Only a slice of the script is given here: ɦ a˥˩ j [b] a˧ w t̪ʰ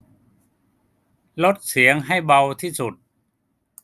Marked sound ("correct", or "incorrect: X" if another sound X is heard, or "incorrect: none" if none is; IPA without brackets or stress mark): correct